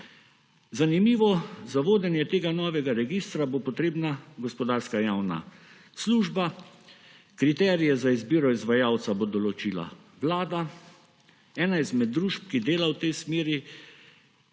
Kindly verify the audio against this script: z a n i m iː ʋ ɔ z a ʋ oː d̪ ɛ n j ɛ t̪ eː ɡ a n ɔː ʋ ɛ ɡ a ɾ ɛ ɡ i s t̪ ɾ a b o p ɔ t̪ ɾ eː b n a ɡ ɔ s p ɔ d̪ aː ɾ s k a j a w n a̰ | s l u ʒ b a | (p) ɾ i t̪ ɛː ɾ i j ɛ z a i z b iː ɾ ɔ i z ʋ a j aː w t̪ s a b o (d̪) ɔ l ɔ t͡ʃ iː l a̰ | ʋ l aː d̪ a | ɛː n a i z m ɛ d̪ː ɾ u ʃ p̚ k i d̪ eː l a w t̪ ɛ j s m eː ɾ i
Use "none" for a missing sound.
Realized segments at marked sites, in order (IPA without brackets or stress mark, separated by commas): k, d̪